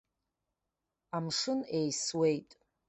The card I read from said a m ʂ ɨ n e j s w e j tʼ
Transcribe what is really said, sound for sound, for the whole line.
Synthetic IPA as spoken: a m ʂ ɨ n e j s w e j tʼ